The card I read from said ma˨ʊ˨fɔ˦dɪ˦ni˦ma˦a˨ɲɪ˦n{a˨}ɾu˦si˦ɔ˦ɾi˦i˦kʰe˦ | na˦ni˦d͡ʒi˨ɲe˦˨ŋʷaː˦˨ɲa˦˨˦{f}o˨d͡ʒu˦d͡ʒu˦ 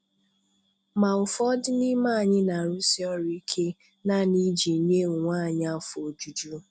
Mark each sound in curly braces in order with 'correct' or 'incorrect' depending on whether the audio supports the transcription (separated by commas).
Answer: correct, correct